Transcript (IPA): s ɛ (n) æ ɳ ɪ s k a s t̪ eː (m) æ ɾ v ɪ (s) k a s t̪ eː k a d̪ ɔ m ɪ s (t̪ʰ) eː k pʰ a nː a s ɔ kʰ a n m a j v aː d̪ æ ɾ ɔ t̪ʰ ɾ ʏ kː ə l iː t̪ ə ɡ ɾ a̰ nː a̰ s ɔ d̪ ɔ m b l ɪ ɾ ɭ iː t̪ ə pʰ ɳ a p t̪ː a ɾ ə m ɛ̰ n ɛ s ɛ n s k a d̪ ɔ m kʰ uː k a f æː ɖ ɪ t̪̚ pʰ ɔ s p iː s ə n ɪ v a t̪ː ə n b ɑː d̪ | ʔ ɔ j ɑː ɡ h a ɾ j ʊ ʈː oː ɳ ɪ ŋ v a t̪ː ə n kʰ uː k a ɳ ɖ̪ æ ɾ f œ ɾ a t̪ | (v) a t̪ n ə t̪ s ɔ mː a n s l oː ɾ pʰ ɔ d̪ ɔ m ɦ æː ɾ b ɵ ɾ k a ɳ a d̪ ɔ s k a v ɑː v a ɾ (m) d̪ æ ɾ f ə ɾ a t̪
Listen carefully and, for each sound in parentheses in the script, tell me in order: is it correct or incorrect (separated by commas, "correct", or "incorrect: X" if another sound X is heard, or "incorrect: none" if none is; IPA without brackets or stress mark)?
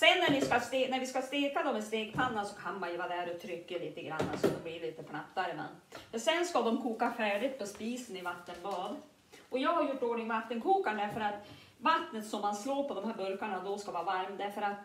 incorrect: nː, incorrect: n, correct, incorrect: t̪, correct, correct